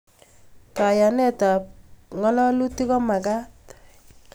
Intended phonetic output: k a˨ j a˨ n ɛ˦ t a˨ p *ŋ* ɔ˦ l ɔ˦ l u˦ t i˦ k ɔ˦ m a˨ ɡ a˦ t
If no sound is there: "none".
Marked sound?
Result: ŋ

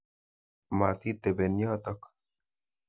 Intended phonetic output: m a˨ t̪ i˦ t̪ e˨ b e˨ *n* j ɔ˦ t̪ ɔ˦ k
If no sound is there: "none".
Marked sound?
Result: n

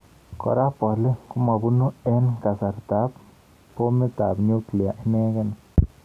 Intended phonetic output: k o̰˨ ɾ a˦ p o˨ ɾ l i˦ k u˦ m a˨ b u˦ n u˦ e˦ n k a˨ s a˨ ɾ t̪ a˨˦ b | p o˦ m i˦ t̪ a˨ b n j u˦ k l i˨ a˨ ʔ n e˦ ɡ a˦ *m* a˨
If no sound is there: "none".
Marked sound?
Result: n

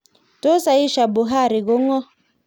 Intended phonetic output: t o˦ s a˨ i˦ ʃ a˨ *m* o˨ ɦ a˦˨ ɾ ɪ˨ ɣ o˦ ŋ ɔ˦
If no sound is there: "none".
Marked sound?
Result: b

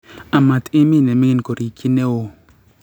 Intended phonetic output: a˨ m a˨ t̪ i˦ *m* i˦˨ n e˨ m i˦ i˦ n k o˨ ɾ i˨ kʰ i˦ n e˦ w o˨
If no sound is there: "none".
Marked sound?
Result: m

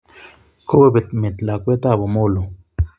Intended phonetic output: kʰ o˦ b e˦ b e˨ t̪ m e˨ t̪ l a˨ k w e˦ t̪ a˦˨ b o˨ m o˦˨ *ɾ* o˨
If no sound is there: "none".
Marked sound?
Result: l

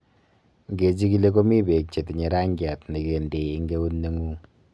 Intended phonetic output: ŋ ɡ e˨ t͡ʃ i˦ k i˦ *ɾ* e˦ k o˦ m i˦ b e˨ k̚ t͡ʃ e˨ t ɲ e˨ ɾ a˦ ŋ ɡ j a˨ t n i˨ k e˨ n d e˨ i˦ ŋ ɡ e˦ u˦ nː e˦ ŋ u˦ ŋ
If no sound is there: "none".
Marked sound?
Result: l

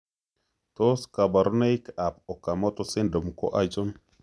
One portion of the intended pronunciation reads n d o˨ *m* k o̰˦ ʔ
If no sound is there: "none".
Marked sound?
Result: m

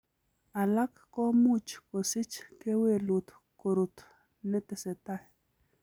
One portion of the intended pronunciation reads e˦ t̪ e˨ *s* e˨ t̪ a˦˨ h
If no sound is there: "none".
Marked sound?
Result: s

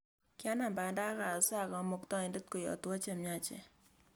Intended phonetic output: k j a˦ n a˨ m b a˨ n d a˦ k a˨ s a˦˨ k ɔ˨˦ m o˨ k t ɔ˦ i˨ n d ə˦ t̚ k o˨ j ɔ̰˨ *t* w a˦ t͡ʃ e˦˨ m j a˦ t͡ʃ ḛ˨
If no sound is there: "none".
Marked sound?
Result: t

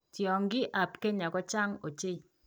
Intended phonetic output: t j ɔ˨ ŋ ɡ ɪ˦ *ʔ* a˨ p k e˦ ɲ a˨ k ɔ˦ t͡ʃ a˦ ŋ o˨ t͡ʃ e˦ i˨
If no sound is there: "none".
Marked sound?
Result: ʔ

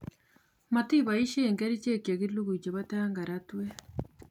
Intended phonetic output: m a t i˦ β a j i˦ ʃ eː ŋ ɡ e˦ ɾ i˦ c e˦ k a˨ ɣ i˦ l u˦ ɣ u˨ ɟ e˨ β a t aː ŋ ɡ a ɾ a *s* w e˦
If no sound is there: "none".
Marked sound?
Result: t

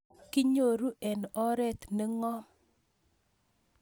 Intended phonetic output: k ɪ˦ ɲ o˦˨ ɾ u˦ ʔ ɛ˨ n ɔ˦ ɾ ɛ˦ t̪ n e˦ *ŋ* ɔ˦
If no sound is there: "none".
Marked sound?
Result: ŋ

